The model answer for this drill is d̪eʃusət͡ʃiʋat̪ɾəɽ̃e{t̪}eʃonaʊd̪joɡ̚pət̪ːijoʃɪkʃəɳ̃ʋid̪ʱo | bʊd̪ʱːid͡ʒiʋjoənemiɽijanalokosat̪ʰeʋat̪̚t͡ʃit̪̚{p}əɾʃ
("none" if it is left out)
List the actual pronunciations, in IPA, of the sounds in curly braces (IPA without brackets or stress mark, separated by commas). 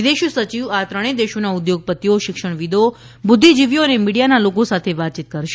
d̪, k